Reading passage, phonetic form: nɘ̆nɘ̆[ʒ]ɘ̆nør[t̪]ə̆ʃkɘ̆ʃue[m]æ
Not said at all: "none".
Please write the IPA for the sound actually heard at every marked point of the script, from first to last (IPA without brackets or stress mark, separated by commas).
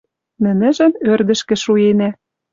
ʒ, d̪, n